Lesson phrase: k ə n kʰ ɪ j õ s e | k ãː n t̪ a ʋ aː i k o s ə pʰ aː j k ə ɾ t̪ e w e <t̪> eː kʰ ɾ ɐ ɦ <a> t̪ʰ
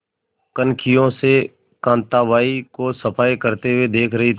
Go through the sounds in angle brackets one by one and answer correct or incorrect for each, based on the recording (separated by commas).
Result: incorrect, incorrect